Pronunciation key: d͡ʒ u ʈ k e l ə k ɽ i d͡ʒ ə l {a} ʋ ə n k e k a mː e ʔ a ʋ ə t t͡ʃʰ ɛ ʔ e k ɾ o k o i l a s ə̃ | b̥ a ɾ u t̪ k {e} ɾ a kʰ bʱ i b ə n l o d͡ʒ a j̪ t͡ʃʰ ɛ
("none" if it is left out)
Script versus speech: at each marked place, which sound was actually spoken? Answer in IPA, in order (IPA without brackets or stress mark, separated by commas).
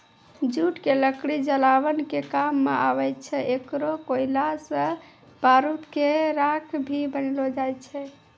a, e